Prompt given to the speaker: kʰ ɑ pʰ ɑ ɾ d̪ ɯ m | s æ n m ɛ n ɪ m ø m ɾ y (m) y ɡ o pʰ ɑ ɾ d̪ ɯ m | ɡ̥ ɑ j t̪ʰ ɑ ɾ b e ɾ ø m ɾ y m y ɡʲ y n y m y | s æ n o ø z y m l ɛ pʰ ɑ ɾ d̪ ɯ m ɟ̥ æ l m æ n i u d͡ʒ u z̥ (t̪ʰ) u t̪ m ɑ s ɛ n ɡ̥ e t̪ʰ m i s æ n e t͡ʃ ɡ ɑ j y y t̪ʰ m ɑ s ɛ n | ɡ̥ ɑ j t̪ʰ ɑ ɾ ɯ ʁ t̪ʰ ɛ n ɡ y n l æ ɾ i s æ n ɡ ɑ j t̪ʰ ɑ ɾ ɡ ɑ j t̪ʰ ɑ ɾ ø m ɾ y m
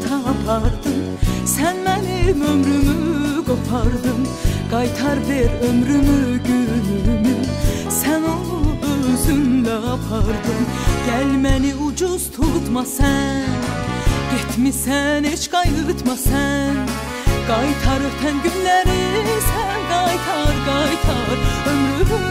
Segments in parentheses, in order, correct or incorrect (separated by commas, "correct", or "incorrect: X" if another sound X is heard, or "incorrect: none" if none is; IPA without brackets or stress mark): correct, correct